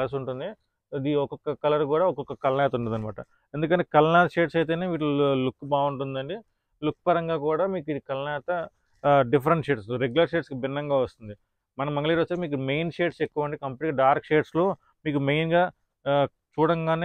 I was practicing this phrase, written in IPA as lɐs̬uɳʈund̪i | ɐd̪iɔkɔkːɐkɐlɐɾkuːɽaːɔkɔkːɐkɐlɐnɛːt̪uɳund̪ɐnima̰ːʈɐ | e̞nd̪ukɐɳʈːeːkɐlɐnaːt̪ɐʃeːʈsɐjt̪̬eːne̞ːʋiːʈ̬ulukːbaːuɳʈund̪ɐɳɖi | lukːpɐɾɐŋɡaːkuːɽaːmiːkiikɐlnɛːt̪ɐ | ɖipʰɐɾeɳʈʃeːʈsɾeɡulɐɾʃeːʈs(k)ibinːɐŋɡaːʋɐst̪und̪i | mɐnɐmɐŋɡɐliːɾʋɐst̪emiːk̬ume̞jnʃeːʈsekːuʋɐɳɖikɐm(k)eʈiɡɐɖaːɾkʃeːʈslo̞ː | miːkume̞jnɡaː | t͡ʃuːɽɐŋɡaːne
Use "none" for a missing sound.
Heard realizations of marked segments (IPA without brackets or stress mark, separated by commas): k, p